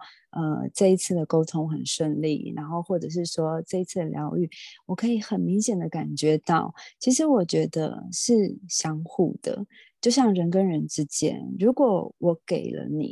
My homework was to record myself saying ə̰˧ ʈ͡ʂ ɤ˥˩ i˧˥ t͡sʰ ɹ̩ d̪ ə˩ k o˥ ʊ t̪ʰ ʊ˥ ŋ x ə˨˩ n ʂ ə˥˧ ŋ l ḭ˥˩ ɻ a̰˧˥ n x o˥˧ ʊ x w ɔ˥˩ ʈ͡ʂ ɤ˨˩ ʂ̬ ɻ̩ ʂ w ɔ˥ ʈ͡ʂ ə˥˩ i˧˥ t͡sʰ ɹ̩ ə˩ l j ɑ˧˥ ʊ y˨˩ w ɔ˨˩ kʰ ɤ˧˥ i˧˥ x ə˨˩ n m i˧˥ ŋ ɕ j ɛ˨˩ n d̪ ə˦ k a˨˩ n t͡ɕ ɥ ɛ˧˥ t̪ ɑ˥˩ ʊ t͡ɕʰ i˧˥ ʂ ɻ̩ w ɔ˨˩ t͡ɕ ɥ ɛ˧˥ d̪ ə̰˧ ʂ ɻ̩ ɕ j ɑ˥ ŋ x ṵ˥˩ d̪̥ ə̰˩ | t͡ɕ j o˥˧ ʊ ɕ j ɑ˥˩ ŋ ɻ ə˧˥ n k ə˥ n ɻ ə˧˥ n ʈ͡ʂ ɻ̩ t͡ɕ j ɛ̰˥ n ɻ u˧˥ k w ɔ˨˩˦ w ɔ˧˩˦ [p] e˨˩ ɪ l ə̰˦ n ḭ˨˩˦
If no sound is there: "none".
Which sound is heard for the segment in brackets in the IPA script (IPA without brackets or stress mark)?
k